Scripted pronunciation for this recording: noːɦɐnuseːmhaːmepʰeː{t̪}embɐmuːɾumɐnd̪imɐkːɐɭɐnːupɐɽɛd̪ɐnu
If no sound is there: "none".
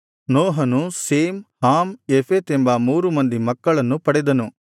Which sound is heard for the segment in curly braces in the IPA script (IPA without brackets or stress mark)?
t̪